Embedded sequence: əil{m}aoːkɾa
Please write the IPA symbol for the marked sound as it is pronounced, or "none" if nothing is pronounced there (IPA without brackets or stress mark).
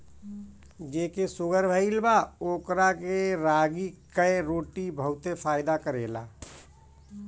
b